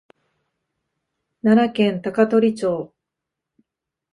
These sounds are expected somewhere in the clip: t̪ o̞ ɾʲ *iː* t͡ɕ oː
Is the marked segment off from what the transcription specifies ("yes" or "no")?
yes